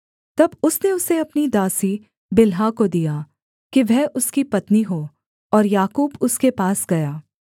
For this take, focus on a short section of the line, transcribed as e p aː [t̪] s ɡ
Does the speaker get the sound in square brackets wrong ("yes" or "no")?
yes